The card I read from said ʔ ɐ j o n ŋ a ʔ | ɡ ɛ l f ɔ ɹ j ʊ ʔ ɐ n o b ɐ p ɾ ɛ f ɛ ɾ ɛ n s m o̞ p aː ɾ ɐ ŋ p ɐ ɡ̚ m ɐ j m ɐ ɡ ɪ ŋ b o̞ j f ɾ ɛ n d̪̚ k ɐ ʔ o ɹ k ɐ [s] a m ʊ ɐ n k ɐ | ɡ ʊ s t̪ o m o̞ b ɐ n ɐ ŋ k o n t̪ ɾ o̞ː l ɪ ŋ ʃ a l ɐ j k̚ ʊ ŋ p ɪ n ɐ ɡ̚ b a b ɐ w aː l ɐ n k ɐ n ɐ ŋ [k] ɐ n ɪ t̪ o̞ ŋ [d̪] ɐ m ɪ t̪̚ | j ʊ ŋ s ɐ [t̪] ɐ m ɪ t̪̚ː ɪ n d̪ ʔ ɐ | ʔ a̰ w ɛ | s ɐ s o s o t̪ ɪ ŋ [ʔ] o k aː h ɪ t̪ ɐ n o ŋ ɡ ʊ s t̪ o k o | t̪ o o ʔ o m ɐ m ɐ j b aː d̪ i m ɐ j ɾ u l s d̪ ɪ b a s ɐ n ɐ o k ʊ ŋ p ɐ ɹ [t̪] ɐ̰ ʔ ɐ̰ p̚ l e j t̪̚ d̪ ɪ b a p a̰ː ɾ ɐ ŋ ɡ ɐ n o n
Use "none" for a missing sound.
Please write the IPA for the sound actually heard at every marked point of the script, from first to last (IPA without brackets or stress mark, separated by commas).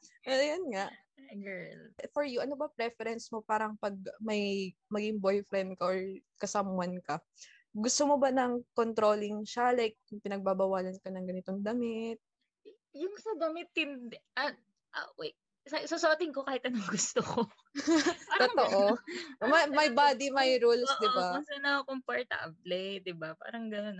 s, ɡ, d̪, d̪, k, t̪